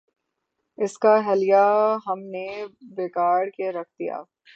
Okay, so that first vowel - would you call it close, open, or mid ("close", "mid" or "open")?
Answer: close